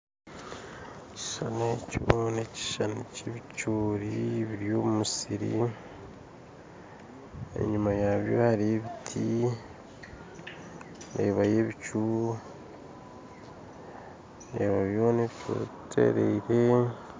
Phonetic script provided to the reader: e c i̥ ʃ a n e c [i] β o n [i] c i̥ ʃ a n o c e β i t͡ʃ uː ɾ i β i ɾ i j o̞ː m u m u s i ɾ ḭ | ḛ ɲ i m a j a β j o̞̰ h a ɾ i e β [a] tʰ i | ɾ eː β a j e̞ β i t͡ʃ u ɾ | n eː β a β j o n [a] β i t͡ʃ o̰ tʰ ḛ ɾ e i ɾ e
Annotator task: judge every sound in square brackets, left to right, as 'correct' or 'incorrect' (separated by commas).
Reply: correct, incorrect, incorrect, incorrect